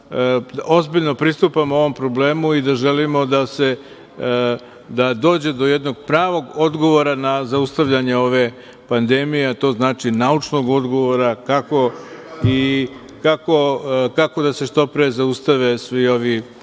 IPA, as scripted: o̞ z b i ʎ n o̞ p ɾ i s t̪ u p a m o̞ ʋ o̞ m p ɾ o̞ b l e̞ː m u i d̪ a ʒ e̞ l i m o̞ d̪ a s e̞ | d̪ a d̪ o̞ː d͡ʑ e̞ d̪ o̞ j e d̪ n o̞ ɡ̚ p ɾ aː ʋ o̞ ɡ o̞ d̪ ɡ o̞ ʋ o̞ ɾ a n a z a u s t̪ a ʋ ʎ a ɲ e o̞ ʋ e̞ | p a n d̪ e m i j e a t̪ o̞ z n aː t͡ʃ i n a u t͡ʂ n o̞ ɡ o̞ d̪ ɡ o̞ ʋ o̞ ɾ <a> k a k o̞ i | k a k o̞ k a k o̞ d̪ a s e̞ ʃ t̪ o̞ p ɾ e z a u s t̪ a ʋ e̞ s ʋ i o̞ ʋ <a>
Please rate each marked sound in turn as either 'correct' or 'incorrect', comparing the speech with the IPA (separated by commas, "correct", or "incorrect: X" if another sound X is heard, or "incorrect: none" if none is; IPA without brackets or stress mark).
correct, incorrect: i